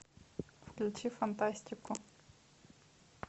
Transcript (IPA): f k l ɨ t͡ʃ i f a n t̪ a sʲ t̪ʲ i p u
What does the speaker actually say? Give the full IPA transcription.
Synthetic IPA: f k l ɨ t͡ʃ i f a n t̪ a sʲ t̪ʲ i k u